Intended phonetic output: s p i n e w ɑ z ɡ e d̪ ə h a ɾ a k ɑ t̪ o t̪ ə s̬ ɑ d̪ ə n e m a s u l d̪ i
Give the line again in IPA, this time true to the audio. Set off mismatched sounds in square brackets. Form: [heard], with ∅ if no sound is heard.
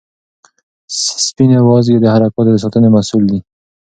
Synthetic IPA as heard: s p i n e w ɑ z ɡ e d̪ ə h a ɾ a k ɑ t̪ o [d̪] ə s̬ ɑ [t̪] ə n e m a s u l d̪ i

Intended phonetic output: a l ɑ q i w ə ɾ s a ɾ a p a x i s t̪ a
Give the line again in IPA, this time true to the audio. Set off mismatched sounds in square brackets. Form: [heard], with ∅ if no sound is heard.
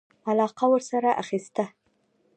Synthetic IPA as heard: a l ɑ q [a] w ə ɾ s a ɾ a [ʔ] a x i s t̪ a

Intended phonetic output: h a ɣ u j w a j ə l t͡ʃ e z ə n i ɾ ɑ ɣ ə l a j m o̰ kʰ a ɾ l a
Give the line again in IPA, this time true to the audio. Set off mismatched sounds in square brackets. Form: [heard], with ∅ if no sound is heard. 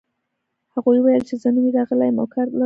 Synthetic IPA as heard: h a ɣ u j w a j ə l t͡ʃ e z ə n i ɾ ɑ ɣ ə l a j m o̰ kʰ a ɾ l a

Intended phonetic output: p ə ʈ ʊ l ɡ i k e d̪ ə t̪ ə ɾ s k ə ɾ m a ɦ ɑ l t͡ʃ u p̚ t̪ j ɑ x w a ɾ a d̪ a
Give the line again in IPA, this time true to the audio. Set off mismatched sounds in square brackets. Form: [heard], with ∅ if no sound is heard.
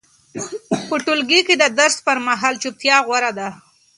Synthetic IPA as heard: p ə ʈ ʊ l ɡ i k e d̪ ə [d̪] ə ɾ s [p] ə ɾ m a ɦ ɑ l t͡ʃ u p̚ t̪ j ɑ [ɣ] w a ɾ a d̪ a

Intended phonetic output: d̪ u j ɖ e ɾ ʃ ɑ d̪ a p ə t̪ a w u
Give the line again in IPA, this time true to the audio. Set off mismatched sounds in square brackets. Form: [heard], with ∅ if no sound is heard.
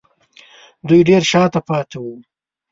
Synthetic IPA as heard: d̪ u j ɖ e ɾ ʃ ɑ [t̪] a p [ɑ] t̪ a w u

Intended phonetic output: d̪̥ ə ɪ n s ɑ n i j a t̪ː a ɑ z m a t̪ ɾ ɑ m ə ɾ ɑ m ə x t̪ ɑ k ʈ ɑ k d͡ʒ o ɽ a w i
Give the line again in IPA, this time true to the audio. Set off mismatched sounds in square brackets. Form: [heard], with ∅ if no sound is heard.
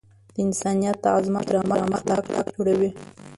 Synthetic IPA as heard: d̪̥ ə ɪ n s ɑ n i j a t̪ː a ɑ z m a t̪ ɾ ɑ m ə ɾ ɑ m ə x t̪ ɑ k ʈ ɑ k d͡ʒ o ɽ a w i

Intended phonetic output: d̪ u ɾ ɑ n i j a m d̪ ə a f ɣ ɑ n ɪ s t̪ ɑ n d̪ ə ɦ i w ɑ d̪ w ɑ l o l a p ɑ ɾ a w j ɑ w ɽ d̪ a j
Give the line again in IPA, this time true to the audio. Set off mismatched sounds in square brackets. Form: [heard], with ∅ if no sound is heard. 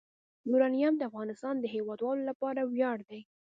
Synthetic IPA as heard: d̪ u ɾ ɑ n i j a m d̪ ə a f ɣ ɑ n ɪ s t̪ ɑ n d̪ ə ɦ [e] w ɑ d̪ w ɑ l o l a p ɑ ɾ a w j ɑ [∅] ɽ d̪ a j

